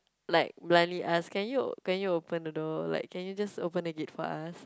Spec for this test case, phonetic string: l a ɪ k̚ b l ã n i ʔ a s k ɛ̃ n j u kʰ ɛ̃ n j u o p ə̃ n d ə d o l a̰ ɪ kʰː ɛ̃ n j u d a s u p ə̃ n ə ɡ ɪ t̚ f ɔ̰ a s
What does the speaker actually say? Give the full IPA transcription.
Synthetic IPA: l a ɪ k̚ b l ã n i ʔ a s k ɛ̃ n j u k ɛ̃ n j u o p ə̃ n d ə d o l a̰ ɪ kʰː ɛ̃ n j u d͡ʒ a s o p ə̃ n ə ɡ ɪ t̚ f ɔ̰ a s